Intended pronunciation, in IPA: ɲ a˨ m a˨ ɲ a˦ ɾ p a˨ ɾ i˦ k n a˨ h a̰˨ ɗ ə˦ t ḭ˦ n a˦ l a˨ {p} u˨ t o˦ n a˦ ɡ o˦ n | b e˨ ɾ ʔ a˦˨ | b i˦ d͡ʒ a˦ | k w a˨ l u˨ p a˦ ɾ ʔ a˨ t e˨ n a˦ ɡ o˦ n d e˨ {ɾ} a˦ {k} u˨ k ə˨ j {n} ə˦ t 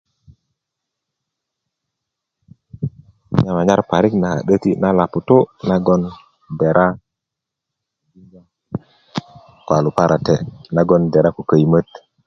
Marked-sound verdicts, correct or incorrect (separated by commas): correct, correct, correct, incorrect